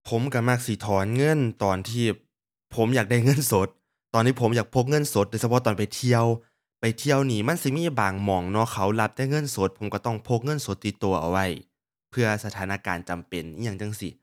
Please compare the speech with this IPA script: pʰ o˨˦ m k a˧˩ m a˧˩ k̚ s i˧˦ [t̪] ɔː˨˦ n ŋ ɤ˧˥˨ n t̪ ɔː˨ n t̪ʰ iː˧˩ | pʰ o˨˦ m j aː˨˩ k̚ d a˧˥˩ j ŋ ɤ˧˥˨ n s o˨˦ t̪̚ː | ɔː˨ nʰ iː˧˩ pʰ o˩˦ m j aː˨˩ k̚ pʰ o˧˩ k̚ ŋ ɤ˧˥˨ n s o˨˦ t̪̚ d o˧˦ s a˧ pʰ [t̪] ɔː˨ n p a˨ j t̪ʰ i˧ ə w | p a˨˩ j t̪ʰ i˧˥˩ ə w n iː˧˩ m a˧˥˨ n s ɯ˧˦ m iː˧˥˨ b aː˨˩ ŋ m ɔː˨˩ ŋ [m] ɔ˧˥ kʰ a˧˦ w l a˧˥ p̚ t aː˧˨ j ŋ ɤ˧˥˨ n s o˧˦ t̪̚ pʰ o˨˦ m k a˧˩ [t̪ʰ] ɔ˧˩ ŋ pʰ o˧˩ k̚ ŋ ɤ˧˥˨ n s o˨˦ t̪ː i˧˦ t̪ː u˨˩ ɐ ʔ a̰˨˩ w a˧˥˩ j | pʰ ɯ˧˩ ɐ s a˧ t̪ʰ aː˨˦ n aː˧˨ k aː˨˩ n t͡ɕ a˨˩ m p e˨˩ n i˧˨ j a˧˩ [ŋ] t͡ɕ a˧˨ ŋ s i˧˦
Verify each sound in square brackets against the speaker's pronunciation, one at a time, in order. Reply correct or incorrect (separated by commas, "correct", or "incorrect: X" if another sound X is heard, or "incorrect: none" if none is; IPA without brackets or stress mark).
incorrect: t̪ʰ, correct, incorrect: n, incorrect: t̪, correct